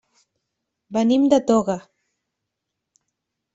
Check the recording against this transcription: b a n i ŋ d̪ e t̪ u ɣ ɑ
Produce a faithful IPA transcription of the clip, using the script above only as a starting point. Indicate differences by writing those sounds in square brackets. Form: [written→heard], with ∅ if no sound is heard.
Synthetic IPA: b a n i [ŋ→m] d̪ [e→a] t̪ [u→o] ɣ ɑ